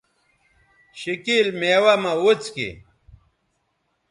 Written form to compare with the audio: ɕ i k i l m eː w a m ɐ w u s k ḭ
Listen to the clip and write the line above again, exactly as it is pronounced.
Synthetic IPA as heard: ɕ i k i l m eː w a m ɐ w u t͡s k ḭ

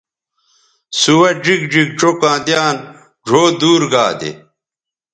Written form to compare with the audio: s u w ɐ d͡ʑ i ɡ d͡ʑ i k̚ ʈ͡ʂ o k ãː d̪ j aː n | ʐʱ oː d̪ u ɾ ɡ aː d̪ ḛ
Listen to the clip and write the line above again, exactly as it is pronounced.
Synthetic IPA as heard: s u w ɐ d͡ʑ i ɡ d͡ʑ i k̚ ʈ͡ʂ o k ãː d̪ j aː n | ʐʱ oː d̪ uː ɾ ɡ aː d̪ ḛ

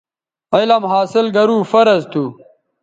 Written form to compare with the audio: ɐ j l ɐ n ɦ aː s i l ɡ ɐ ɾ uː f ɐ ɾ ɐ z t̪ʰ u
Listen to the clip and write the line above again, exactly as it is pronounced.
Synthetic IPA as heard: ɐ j l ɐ m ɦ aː s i l ɡ ɐ ɾ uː f ɐ ɾ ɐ z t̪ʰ u

